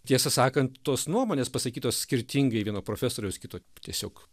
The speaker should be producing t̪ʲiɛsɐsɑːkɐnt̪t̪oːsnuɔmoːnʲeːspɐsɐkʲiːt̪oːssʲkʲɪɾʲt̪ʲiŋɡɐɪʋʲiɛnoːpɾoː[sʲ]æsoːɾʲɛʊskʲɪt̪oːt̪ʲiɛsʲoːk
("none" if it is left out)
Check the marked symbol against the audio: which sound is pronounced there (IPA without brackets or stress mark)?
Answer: fʲ